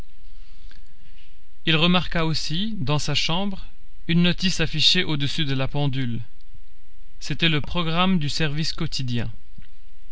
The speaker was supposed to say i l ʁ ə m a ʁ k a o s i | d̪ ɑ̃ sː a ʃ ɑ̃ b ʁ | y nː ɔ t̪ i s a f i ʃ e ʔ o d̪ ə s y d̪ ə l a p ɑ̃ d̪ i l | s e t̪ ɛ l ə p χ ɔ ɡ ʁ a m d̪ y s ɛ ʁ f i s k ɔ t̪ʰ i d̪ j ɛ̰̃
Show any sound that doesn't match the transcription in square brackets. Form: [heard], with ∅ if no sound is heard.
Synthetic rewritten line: i l ʁ ə m a ʁ k a o s i | d̪ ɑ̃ [s] a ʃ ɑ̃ b ʁ | y nː ɔ t̪ i s a f i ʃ e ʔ o d̪ ə s y d̪ ə l a p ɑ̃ d̪ [y] l | s e t̪ ɛ l ə p χ ɔ ɡ ʁ a m d̪ y s ɛ ʁ [v] i s k ɔ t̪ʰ i d̪ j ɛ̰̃